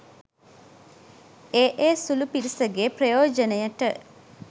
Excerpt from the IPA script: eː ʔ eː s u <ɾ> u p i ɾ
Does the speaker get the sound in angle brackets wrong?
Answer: yes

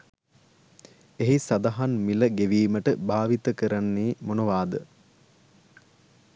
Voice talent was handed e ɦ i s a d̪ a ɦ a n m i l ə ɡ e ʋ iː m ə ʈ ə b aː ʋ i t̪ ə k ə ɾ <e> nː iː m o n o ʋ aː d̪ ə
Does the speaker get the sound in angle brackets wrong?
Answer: yes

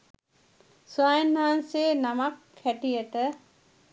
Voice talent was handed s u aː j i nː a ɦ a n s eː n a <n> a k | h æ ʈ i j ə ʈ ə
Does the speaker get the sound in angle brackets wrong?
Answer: yes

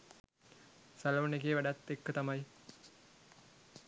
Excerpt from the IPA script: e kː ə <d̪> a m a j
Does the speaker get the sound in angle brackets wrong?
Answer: yes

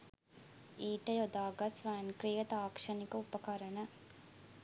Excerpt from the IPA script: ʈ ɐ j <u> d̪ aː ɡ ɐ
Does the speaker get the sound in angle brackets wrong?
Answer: yes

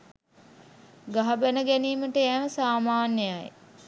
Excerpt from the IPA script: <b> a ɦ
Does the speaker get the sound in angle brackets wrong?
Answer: yes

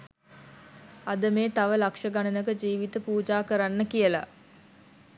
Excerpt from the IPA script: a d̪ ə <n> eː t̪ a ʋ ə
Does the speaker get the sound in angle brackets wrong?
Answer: yes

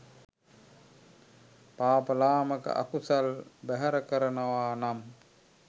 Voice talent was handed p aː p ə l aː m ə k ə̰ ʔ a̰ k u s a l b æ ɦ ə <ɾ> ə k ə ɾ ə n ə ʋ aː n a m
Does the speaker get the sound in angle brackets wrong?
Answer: no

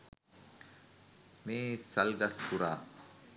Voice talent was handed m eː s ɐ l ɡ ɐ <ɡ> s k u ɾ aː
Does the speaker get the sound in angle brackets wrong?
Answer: yes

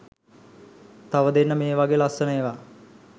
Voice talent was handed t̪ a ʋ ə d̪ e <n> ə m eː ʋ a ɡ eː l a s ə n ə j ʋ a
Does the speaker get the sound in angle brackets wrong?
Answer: yes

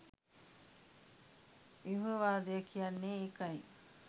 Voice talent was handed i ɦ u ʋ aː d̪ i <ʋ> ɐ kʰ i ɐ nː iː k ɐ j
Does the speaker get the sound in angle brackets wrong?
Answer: yes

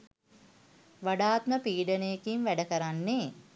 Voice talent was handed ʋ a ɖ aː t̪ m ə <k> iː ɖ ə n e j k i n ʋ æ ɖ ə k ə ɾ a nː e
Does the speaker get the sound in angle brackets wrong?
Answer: yes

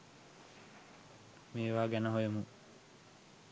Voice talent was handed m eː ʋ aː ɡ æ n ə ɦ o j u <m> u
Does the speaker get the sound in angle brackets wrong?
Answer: no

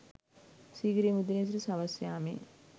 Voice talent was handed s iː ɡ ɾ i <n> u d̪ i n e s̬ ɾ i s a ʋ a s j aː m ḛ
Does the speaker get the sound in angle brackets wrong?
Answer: yes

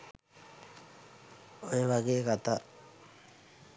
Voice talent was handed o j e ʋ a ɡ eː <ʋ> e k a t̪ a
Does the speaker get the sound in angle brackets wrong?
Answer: yes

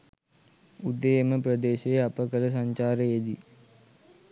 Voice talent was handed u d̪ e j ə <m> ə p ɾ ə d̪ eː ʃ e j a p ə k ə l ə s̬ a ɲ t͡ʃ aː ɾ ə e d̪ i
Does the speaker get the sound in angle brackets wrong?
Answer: no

